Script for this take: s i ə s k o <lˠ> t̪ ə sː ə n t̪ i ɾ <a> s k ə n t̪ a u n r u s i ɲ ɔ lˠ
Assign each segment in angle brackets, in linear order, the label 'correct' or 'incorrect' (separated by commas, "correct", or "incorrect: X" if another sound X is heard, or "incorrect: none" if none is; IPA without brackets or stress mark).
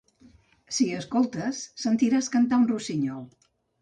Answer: correct, correct